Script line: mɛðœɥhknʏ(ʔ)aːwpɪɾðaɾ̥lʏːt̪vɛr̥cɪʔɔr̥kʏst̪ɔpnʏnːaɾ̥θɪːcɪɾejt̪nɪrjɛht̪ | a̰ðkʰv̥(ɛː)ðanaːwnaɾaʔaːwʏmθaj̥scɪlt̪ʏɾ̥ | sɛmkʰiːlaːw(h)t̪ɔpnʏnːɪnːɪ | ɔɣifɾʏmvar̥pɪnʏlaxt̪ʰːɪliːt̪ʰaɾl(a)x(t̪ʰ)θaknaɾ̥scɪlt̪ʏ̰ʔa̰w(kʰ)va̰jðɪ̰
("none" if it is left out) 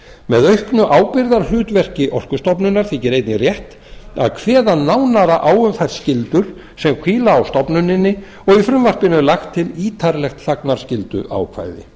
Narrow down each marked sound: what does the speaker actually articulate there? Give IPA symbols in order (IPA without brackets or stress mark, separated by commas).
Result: ʔ, ɛː, s, ɛ, t̪, kʰ